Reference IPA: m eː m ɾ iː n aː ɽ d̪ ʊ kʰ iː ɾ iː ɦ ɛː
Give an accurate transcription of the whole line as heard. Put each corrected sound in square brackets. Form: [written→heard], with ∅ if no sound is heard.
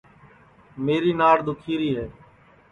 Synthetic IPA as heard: m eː [m→∅] ɾ iː n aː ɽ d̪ ʊ kʰ iː ɾ iː ɦ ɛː